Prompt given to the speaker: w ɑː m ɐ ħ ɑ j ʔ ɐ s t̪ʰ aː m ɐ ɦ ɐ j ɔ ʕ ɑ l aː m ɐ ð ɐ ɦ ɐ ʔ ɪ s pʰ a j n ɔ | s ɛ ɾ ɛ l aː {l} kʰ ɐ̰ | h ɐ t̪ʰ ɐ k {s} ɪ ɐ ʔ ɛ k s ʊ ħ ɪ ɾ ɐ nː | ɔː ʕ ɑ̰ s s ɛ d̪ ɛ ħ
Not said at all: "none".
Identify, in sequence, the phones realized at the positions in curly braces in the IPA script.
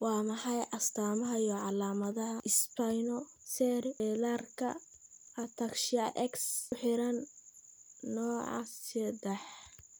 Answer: r, ʃ

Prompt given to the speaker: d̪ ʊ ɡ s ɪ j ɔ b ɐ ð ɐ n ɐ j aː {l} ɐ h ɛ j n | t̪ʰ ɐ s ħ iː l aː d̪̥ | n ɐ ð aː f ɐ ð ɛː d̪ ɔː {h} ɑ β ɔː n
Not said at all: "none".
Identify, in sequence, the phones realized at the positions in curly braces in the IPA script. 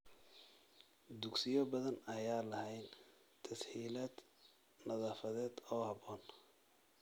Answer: l, h

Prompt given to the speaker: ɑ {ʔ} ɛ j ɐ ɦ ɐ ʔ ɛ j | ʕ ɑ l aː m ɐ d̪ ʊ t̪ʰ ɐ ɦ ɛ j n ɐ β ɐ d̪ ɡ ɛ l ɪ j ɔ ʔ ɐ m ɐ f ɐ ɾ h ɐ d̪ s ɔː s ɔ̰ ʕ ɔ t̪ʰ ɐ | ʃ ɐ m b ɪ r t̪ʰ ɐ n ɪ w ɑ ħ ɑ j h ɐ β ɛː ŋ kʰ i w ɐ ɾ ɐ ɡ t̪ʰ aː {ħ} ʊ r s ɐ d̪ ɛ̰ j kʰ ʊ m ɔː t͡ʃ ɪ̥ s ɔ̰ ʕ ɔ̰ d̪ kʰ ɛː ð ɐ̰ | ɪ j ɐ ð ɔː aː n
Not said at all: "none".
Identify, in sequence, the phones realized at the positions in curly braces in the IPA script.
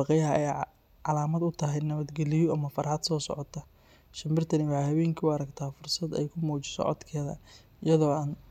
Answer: q, f

